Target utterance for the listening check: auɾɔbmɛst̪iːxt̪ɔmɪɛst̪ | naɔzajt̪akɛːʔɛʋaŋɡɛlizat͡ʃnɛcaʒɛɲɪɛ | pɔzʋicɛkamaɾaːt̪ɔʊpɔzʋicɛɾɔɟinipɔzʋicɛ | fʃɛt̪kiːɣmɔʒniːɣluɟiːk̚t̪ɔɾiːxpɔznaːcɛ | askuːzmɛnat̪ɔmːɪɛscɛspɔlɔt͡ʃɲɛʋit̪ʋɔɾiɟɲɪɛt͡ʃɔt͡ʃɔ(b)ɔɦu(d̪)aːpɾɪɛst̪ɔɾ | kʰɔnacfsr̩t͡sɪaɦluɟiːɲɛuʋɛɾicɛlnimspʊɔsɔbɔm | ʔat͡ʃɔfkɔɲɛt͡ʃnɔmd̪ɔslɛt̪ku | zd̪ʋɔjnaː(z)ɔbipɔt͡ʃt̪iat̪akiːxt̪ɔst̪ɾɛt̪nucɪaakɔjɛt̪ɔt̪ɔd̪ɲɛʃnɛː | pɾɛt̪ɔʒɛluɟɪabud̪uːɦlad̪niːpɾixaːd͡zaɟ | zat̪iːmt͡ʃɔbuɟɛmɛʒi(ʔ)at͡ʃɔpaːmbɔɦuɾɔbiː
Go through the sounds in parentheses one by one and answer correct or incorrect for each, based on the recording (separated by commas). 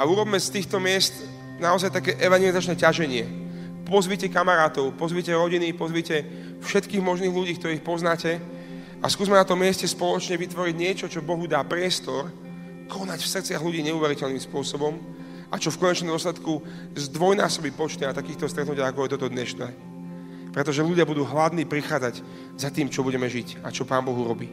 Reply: correct, correct, incorrect, incorrect